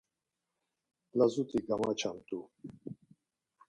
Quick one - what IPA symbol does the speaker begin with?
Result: l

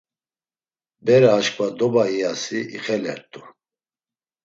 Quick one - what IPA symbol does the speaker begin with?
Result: b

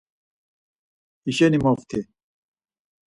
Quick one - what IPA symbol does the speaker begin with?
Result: i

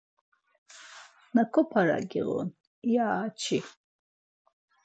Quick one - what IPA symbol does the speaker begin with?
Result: n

